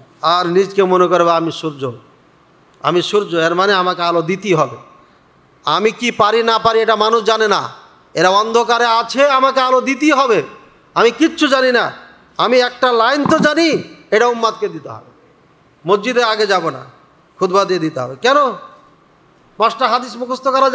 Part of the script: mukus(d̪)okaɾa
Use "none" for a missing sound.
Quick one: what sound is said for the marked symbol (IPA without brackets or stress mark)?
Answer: t̪